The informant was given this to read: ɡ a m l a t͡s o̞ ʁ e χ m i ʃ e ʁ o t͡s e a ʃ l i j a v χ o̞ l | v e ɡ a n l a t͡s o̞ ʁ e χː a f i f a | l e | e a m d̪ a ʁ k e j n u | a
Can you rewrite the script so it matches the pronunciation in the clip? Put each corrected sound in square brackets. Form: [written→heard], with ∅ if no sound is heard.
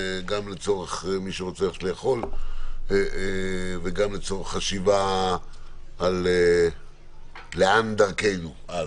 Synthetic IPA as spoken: ɡ a m l [a→e] t͡s o̞ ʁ e χ m i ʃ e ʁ o t͡s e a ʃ l [i→e] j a [v→∅] χ o̞ l | v e ɡ a [n→m] l [a→e] t͡s o̞ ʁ e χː a [f→ʃ] i [f→v] a | l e | e a [m→n] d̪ a ʁ k e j n u | a